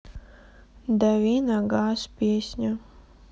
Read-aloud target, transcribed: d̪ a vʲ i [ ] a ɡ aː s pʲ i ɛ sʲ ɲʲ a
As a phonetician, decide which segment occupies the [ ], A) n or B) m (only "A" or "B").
A